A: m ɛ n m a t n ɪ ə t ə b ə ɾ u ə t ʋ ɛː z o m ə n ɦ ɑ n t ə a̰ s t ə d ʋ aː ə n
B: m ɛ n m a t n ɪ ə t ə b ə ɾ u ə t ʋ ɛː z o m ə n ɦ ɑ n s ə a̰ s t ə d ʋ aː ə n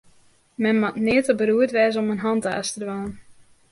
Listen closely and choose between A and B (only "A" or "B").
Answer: A